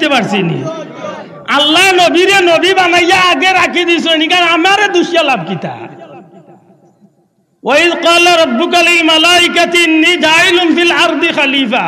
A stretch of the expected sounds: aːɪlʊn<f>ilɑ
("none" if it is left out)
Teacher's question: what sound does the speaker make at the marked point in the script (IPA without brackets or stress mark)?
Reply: f